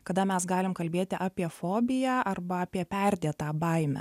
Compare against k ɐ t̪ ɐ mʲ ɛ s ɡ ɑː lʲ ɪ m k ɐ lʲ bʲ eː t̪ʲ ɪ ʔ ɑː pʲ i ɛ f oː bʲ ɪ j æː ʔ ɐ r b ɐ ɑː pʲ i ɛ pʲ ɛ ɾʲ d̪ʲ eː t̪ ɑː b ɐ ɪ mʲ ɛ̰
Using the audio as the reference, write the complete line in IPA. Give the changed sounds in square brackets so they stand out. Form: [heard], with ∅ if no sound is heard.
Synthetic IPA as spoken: k ɐ [d̪] ɐ mʲ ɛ s ɡ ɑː lʲ ɪ m k ɐ lʲ bʲ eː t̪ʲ ɪ ʔ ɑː pʲ i ɛ f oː bʲ ɪ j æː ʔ ɐ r b ɐ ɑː pʲ i ɛ pʲ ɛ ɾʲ d̪ʲ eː t̪ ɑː b ɐ ɪ mʲ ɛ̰